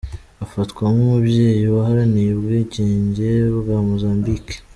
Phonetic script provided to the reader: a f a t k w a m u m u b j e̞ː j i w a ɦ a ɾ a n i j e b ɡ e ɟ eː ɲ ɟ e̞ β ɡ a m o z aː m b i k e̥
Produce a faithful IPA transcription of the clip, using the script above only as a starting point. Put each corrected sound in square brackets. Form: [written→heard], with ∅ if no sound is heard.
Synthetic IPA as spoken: a f a t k w a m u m u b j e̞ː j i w a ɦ a ɾ a n i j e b ɡ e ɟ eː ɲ ɟ e̞ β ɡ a m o z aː m b i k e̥